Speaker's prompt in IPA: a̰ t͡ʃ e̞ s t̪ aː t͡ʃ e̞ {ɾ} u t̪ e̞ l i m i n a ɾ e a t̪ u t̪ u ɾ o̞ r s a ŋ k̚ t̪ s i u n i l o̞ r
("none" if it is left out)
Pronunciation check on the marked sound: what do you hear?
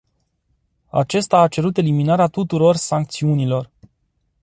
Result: ɾ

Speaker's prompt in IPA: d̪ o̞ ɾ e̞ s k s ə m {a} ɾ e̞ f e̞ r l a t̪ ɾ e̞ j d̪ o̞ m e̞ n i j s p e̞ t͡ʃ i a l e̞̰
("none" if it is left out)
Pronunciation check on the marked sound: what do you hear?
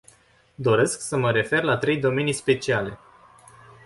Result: ə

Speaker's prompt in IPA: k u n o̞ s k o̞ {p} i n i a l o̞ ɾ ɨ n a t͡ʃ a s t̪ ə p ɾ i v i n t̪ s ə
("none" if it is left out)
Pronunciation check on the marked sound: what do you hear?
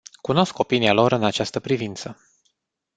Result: p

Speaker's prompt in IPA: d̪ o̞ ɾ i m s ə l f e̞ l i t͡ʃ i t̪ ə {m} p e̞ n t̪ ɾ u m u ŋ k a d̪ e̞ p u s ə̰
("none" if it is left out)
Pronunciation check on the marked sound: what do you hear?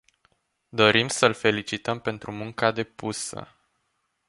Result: m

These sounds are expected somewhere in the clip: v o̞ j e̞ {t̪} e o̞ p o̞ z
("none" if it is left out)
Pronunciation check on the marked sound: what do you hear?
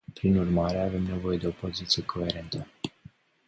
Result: d̪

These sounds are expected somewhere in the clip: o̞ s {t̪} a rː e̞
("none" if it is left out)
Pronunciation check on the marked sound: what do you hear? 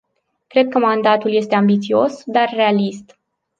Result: d̪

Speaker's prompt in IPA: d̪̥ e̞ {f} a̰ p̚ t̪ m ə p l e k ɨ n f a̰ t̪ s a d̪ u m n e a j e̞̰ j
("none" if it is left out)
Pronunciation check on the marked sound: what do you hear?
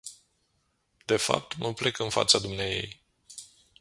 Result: f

